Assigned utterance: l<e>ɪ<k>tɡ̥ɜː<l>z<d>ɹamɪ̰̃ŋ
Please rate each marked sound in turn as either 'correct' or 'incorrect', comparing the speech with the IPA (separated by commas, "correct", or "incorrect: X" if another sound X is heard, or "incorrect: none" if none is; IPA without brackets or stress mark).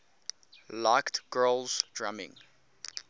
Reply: incorrect: a, correct, correct, correct